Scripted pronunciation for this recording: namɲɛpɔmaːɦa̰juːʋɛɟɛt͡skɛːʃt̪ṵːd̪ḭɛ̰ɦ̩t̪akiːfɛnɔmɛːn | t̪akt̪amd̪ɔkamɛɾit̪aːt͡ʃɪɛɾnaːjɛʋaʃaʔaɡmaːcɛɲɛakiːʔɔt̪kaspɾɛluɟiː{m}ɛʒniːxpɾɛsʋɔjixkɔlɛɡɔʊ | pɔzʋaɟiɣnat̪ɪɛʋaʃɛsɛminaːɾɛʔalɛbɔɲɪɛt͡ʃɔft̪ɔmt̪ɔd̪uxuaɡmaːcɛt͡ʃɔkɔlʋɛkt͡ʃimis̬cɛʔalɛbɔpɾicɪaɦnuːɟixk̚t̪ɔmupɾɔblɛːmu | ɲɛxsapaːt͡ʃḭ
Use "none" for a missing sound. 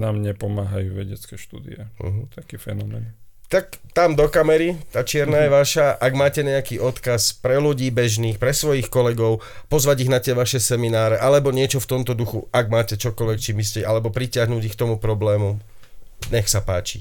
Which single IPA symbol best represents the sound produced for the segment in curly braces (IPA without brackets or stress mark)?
b